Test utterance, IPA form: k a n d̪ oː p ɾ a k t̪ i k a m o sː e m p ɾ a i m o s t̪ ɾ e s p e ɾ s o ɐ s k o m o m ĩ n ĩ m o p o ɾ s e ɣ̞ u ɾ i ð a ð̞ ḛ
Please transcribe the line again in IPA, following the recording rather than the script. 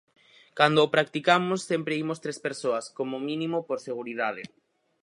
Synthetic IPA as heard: k a n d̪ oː p ɾ a k t̪ i k a m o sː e m p ɾ e i m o s t̪ ɾ e s p e ɾ s o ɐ s k o m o m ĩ n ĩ m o p o ɾ s e ɣ̞ u ɾ i ð a ð̞ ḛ

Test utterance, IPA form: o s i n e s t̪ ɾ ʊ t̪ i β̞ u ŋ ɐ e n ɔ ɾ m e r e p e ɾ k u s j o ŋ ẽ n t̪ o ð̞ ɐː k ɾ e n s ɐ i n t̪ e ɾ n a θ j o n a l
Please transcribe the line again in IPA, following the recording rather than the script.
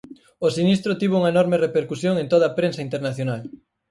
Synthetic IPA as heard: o s i n i s t̪ ɾ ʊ t̪ i β̞ u ŋ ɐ e n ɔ ɾ m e r e p e ɾ k u s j o ŋ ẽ n t̪ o ð̞ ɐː p ɾ e n s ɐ i n t̪ e ɾ n a θ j o n a l

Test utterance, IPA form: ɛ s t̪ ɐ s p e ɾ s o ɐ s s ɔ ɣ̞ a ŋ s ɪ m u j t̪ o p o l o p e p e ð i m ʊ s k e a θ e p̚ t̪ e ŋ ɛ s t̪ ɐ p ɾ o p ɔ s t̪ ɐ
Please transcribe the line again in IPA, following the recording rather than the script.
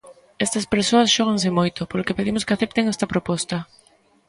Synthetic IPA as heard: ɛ s t̪ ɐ s p e ɾ s o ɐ s ʃ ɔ ɣ̞ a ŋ s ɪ m o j t̪ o p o l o k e p e ð i m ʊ s k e a θ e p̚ t̪ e ŋ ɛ s t̪ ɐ p ɾ o p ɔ s t̪ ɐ

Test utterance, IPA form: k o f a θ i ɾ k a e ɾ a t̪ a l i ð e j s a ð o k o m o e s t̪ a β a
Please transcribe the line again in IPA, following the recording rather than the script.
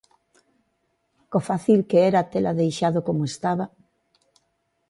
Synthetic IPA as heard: k o f a θ i l k e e ɾ a t̪ e l a ð e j ʃ a ð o k o m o e s t̪ a β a

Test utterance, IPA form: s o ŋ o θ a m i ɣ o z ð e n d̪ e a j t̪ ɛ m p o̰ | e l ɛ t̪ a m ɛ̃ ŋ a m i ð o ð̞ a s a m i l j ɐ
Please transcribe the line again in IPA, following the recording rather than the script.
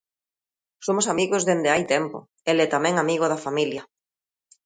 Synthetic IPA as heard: s o m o s a m i ɣ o z ð e n d̪ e a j t̪ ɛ m p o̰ | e l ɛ t̪ a m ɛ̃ ŋ a m i ɣ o ð̞ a f a m i l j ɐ

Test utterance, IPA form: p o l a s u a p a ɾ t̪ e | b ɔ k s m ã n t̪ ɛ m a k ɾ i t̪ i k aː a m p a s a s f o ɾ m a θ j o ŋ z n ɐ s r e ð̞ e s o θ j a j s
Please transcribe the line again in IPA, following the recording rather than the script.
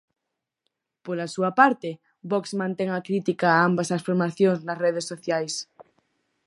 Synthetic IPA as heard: p o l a s u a p a ɾ t̪ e | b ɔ k s m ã n t̪ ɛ ŋ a k ɾ i t̪ i k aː a m b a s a s f o ɾ m a θ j o ŋ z n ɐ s r e ð̞ e s o θ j a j s

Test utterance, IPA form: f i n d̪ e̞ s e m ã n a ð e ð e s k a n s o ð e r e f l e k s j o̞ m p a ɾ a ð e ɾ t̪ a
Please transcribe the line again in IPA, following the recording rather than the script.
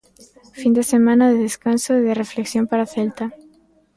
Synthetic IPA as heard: f i n d̪ e̞ s e m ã n a ð e ð e s k a n s o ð e r e f l e k s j o̞ m p a ɾ a θ e l t̪ a

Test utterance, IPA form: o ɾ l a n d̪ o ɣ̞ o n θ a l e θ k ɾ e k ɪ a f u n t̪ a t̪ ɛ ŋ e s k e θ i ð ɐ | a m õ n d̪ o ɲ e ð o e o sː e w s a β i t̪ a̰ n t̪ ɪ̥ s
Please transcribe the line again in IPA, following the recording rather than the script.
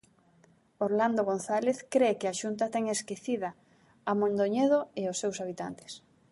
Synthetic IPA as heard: o ɾ l a n d̪ o ɣ̞ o n θ a l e θ k ɾ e k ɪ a ʃ u n t̪ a t̪ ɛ ŋ e s k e θ i ð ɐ | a m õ n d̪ o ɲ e ð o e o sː e w s a β i t̪ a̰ n t̪ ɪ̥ s

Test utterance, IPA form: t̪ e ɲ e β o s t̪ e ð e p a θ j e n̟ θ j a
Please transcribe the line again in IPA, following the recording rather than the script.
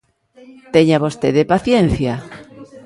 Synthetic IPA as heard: t̪ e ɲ a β o s t̪ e ð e p a θ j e n̟ θ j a

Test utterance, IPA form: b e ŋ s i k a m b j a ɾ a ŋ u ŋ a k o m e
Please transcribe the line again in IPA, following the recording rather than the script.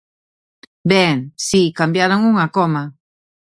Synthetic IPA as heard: b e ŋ s i k a m b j a ɾ a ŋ u ŋ a k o m a

